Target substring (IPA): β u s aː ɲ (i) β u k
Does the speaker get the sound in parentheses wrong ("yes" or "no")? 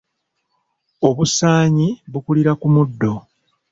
no